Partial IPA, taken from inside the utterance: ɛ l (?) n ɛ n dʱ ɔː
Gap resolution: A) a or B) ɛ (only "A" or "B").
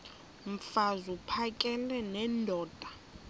B